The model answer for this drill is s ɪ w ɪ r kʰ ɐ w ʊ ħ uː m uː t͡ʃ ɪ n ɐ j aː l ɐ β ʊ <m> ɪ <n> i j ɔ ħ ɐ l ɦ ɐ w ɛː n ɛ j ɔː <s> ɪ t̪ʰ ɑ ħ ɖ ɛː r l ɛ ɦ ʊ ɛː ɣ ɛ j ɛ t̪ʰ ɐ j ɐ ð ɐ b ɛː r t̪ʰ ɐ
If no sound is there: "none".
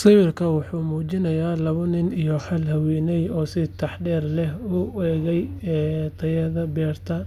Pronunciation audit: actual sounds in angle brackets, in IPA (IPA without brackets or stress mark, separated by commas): n, n, s